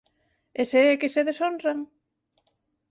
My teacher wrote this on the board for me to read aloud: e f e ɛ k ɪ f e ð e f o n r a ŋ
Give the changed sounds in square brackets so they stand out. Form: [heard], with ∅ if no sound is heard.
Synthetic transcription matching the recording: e [s] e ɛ k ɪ [s] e ð e [s] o n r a ŋ